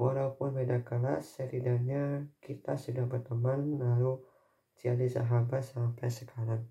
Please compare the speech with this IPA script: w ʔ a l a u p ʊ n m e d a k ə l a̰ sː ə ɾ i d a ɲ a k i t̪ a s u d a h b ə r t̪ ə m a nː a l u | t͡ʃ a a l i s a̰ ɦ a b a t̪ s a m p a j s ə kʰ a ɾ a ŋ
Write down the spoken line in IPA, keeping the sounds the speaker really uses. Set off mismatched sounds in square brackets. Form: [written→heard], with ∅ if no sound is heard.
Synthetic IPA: w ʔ a l a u p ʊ n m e d a k ə l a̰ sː ə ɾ i d a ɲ a k i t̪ a s u d a h b ə r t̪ ə m a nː a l u | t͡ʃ [a→i] a l i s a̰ ɦ a b a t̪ s a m p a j s ə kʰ a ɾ a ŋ